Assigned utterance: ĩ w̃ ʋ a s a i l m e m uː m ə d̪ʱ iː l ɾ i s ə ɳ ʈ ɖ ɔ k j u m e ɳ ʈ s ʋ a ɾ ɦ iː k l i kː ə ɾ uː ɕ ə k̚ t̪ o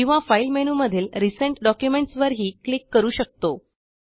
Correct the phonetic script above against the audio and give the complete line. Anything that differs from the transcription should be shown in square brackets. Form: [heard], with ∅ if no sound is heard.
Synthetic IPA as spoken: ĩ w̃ ʋ a [f] a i l m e [n] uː m ə d̪ʱ iː l ɾ i s ə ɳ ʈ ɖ ɔ k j u m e ɳ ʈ s ʋ [ə] ɾ ɦ iː k l i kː ə ɾ uː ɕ ə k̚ t̪ o

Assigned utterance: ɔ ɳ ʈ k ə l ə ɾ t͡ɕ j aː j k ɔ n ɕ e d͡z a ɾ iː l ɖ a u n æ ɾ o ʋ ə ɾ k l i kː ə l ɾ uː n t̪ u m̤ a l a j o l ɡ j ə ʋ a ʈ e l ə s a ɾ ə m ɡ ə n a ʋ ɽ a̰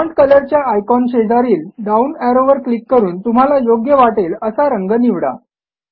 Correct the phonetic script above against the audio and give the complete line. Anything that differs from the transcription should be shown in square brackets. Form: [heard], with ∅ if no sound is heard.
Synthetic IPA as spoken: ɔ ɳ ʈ k ə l ə ɾ t͡ɕ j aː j k ɔ n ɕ e d͡z a ɾ iː l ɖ a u n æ ɾ o ʋ ə ɾ k l i kː ə [∅] ɾ uː n t̪ u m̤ a l a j o [∅] ɡ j ə ʋ a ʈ e l ə s a ɾ ə [ŋ] ɡ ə n [i] ʋ ɽ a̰

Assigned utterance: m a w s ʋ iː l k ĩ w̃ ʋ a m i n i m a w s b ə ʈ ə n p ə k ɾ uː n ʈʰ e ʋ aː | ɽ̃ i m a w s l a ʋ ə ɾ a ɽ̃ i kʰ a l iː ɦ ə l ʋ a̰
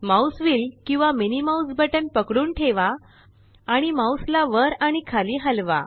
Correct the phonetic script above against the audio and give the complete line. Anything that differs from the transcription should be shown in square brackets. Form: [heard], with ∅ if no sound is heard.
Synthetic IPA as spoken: m a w s ʋ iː l k ĩ w̃ ʋ a m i n i m a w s b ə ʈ ə n p ə k [ɽ] uː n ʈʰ e ʋ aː | ɽ̃ i m a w s l a ʋ ə ɾ a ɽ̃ i kʰ a l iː ɦ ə l ʋ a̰

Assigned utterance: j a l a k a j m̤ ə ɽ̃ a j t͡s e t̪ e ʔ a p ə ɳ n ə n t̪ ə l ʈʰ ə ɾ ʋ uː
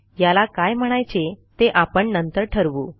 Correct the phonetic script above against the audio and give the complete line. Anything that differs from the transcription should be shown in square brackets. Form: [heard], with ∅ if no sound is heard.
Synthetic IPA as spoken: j a l a k a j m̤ ə ɽ̃ a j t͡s e t̪ e ʔ a p ə ɳ n ə n t̪ ə [ɾ] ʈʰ ə ɾ ʋ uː

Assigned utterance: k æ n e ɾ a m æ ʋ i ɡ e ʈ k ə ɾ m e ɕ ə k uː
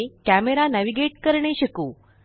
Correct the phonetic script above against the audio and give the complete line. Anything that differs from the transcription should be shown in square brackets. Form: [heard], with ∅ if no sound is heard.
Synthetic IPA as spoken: k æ [m] e ɾ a [n] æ ʋ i ɡ e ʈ k ə ɾ [ɳ] e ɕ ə k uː

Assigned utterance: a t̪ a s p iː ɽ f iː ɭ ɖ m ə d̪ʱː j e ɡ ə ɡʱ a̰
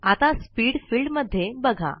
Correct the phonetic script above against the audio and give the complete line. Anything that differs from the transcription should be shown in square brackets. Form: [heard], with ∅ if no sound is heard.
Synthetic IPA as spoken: a t̪ a s p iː ɽ f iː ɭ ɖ m ə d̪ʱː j e [b] ə ɡʱ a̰

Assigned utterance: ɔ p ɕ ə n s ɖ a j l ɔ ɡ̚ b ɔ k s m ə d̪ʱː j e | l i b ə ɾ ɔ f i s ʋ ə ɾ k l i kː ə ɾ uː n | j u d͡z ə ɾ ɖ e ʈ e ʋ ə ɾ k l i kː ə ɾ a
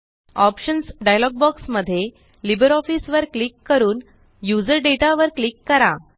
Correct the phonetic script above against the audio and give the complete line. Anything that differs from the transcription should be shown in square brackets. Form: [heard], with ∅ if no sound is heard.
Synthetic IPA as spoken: ɔ p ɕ ə n s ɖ a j l ɔ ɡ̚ b ɔ k s m ə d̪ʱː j e | l i b ə ɾ ɔ f i s ʋ ə ɾ k l i kː ə ɾ uː n | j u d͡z ə ɾ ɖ e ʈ [a] ʋ ə ɾ k l i kː ə ɾ a

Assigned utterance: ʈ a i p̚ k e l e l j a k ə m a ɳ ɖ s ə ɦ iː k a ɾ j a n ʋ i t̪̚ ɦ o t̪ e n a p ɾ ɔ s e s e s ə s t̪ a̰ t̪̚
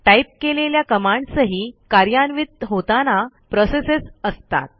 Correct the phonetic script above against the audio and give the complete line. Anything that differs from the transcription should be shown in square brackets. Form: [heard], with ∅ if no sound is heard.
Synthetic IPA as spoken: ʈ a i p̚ k e l e l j a k ə m a ɳ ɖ s ə ɦ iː k a ɾ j a n ʋ i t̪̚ ɦ o t̪ [a] n a p ɾ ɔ s e s e s ə s t̪ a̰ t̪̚

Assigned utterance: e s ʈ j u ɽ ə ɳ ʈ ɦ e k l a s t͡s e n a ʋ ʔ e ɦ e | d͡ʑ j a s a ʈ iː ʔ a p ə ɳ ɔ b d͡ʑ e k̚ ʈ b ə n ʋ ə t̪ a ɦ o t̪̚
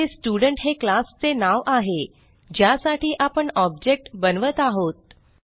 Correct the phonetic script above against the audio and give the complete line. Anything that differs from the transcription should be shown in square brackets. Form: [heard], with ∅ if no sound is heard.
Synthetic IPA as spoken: e s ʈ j u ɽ ə ɳ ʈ ɦ e k l a s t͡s e n a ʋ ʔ [a] ɦ e | d͡ʑ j a s a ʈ iː ʔ a p ə ɳ ɔ b d͡ʑ e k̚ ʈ b ə n ʋ ə t̪ a ɦ o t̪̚

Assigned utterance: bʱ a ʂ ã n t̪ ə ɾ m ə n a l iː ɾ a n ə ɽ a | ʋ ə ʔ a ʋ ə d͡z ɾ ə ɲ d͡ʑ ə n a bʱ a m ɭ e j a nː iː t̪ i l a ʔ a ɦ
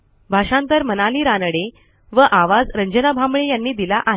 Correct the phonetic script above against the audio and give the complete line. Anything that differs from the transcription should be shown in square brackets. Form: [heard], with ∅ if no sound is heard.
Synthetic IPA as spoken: bʱ a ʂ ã n t̪ ə ɾ m ə n a l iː ɾ a n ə ɽ [e] | ʋ ə ʔ a ʋ [a] d͡z ɾ ə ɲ d͡ʑ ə n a bʱ a m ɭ e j a nː iː [d̪] i l a ʔ a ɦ

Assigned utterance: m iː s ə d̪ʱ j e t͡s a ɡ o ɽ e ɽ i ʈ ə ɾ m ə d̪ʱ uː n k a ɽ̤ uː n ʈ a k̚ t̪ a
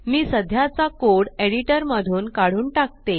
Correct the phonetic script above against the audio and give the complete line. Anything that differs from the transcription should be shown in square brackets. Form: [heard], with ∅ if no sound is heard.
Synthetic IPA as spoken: m iː s ə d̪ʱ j [a] t͡s a [k] o ɽ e ɽ i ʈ ə ɾ m ə d̪ʱ uː n k a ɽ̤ uː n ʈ a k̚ t̪ [e]

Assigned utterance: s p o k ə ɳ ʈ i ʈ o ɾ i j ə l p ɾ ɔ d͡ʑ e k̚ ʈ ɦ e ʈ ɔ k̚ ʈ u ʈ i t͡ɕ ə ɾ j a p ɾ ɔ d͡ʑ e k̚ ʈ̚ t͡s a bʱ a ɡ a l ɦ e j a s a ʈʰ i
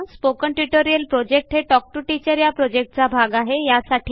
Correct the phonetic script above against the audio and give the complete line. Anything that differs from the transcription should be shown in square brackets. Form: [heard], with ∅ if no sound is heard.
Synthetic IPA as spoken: s p o k ə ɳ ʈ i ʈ o ɾ i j ə l p ɾ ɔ d͡ʑ e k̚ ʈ ɦ e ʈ ɔ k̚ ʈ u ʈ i t͡ɕ ə ɾ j a p ɾ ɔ d͡ʑ e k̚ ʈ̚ t͡s a bʱ a ɡ a [∅] ɦ e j a s a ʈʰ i

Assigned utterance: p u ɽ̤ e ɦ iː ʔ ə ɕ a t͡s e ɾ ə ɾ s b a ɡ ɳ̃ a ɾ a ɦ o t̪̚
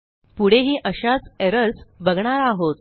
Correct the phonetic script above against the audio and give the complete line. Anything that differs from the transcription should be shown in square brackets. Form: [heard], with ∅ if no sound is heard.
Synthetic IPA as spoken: p u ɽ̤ e ɦ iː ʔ ə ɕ a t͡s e ɾ ə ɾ s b [ə] ɡ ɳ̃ a ɾ a ɦ o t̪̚

